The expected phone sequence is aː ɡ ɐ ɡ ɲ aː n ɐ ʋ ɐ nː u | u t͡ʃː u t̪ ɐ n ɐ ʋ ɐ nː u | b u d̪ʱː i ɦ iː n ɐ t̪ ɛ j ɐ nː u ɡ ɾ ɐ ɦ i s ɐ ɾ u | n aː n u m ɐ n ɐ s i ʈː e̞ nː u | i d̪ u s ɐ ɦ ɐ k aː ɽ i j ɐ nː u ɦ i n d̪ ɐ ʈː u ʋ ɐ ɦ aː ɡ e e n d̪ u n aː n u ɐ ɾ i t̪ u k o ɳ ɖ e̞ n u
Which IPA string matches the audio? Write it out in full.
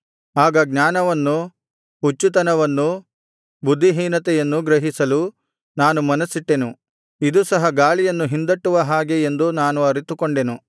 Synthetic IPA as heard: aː ɡ ɐ ɡ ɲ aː n ɐ ʋ ɐ nː u | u t͡ʃː u t̪ ɐ n ɐ ʋ ɐ nː u | b u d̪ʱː i ɦ iː n ɐ t̪ ɛ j ɐ nː u ɡ ɾ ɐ ɦ i s ɐ l u | n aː n u m ɐ n ɐ s i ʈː e̞ n u | i d̪ u s ɐ ɦ ɐ ɡ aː ɭ i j ɐ nː u ɦ i n d̪ ɐ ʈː u ʋ ɐ ɦ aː ɡ e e n d̪ u n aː n u ɐ ɾ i t̪ u k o ɳ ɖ e̞ n u